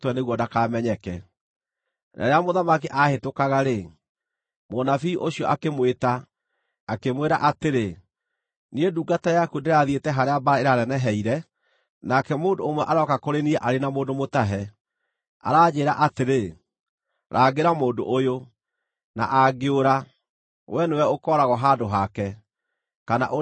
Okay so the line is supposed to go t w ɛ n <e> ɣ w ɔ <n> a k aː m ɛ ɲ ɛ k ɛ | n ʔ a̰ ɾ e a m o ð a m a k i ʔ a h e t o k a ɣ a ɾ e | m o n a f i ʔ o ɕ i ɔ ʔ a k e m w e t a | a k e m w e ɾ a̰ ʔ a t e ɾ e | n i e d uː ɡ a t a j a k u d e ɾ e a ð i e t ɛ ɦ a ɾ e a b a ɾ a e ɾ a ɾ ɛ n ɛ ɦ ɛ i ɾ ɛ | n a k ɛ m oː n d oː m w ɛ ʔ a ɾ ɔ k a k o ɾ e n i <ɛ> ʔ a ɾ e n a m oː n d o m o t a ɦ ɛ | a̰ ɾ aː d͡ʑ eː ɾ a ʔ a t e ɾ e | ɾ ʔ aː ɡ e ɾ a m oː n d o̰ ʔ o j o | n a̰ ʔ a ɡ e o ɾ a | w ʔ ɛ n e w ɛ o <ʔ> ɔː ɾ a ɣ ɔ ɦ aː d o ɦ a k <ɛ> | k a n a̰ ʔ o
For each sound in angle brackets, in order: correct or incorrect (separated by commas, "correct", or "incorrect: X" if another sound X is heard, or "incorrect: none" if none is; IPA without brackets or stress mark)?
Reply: correct, incorrect: d, correct, incorrect: k, correct